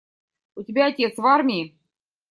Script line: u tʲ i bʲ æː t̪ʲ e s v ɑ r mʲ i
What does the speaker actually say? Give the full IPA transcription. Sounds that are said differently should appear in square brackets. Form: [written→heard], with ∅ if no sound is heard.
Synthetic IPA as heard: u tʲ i bʲ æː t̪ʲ e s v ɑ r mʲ i